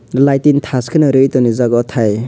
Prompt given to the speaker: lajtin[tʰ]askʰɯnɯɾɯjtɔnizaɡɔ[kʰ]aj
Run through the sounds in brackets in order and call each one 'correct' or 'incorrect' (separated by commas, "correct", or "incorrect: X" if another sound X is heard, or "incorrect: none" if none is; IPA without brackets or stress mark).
correct, incorrect: tʰ